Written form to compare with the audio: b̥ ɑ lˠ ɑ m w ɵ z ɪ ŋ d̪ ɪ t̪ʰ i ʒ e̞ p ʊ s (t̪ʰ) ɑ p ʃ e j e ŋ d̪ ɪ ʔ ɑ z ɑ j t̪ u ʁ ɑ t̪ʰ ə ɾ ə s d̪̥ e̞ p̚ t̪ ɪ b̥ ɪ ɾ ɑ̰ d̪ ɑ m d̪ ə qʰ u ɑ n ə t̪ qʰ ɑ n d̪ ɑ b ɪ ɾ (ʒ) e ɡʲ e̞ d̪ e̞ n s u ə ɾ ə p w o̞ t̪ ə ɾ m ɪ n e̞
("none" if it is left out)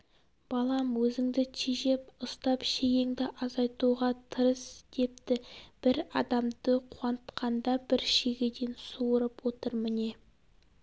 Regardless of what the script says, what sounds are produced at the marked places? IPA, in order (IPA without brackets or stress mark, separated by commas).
t̪, ʃ